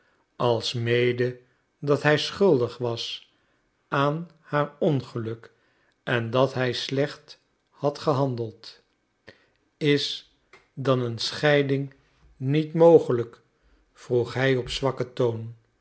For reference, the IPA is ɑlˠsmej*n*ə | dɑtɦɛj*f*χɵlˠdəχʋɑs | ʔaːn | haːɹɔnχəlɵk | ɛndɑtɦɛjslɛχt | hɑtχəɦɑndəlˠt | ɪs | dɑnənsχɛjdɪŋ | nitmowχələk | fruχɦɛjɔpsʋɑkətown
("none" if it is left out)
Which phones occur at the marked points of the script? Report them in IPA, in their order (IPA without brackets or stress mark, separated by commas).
d, s